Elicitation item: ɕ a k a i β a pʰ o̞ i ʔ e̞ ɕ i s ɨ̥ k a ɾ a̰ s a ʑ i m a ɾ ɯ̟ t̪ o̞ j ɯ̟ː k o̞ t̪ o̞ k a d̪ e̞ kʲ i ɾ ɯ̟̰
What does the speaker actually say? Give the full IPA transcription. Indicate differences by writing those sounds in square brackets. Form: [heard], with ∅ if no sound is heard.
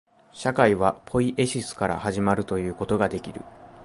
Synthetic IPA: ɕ a k a i β a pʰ o̞ i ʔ e̞ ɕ i s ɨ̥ k a ɾ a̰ [h] a ʑ i m a ɾ ɯ̟ t̪ o̞ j ɯ̟ː k o̞ t̪ o̞ [ɡ] a d̪ e̞ kʲ i ɾ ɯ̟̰

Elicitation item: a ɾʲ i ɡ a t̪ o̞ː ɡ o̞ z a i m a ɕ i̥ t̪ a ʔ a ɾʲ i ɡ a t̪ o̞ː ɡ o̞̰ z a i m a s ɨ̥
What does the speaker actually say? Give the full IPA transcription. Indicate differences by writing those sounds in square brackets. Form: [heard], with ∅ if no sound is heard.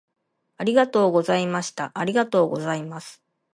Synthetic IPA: a ɾʲ i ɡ a t̪ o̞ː ɡ o̞ z a i m a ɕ i̥ t̪ a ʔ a ɾʲ i ɡ a t̪ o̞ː ɡ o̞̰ z a i m a s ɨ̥

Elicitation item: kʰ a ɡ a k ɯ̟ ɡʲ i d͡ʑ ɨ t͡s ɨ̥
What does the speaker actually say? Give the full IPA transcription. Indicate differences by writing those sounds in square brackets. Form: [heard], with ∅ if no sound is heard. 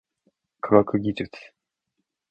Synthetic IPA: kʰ a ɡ a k ɯ̟ ɡʲ i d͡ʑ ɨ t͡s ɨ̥

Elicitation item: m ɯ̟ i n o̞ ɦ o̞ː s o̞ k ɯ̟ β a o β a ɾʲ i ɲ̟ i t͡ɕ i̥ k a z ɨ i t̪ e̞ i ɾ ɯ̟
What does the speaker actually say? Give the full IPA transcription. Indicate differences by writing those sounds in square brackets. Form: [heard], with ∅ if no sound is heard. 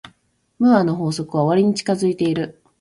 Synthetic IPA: m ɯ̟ [a] n o̞ ɦ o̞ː s o̞ k ɯ̟ β a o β a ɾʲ i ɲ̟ i t͡ɕ i̥ k a z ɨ i t̪ e̞ i ɾ ɯ̟

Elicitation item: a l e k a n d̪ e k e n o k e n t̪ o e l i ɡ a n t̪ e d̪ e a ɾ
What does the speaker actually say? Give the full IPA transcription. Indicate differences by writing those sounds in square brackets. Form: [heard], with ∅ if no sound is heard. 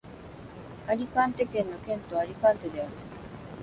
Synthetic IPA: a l [i] k a n [t̪] e k e n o k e n t̪ o [a] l i [k] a n t̪ e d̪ e a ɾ

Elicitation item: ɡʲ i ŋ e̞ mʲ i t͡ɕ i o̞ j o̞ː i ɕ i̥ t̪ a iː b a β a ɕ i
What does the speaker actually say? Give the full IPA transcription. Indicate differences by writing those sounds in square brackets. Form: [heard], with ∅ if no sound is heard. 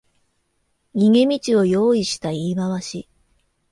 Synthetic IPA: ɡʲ i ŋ e̞ mʲ i t͡ɕ i o̞ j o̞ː i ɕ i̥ t̪ a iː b a β a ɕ i

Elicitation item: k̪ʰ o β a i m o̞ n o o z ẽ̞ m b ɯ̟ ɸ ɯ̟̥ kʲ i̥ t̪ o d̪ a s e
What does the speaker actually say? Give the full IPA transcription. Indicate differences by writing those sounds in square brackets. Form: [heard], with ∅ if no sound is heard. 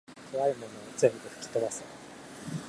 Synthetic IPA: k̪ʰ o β a i m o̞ n o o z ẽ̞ m b ɯ̟ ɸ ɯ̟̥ kʲ i̥ t̪ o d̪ a s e

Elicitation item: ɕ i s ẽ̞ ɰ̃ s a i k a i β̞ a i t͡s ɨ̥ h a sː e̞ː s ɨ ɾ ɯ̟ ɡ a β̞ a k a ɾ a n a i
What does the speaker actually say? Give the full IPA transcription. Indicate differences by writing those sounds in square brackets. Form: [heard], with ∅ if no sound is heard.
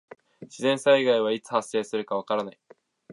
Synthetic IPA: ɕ i [z] ẽ̞ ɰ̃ s a i [ɡ] a i β̞ a i t͡s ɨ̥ h a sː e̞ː s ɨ ɾ ɯ̟ [k] a β̞ a k a ɾ a n a i

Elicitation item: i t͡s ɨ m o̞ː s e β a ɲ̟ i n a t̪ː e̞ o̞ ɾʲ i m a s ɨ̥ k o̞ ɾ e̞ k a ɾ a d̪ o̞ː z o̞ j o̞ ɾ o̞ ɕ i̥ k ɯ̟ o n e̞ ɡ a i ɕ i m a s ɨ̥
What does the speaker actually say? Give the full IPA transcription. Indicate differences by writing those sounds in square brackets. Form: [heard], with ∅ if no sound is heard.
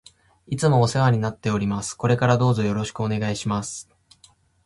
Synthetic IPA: i t͡s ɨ m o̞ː s e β a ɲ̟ i n a t̪ː e̞ o̞ ɾʲ i m a s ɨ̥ k o̞ ɾ e̞ k a ɾ a d̪ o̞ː z o̞ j o̞ ɾ o̞ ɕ i̥ k ɯ̟ o n e̞ ɡ a i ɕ i m a s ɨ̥

